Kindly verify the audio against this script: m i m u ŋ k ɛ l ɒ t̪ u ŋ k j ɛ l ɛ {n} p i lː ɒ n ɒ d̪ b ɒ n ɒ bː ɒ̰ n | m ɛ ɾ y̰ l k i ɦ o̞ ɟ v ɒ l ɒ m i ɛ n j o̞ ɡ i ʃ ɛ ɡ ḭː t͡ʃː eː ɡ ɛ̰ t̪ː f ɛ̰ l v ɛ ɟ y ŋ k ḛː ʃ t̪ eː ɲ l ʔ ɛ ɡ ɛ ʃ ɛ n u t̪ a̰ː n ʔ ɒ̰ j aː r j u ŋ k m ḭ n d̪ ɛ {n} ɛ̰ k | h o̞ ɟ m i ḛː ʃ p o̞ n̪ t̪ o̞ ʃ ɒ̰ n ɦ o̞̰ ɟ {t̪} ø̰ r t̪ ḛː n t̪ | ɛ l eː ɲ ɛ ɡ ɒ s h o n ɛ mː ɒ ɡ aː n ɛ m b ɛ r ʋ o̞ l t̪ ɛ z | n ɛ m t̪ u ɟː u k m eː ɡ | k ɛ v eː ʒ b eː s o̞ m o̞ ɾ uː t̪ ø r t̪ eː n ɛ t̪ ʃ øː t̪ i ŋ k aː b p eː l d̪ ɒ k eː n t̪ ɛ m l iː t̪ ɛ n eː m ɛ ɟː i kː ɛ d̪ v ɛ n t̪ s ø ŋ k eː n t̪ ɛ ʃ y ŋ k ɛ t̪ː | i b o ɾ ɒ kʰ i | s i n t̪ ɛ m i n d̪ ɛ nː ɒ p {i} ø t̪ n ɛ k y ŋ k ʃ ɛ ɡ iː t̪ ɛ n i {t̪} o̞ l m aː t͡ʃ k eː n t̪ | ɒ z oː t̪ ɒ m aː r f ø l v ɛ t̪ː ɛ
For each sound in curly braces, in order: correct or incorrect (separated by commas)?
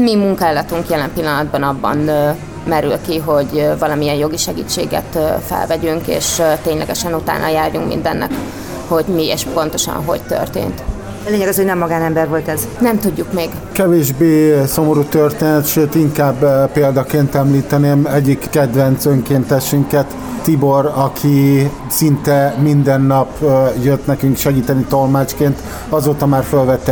incorrect, incorrect, correct, incorrect, correct